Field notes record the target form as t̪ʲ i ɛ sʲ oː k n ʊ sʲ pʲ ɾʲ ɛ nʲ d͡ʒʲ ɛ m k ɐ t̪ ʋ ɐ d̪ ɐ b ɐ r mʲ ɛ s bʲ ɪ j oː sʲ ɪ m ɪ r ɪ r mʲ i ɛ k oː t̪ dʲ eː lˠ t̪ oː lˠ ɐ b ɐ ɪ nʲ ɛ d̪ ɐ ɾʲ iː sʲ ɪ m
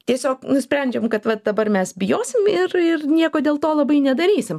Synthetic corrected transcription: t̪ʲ i ɛ sʲ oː k n ʊ sʲ pʲ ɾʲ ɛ nʲ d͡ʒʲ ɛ m k ɐ t̪ ʋ ɐ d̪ ɐ b ɐ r mʲ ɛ s bʲ ɪ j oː sʲ ɪ m ɪ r ɪ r nʲ i ɛ k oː dʲ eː lˠ t̪ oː lˠ ɐ b ɐ ɪ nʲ ɛ d̪ ɐ ɾʲ iː sʲ ɪ m